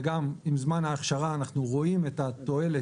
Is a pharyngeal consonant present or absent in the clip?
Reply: absent